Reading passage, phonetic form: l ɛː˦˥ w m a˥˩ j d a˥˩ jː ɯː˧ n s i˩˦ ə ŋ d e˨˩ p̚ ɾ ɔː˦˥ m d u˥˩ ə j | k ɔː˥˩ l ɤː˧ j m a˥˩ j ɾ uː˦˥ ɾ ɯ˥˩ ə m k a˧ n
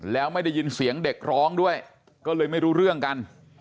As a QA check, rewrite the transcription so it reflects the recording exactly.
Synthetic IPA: l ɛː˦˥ w m a˥˩ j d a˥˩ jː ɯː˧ n s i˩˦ ə ŋ d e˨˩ k̚ ɾ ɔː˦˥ ŋ d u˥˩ ə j | k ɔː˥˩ l ɤː˧ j m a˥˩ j ɾ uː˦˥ ɾ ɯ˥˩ ə ŋ k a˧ n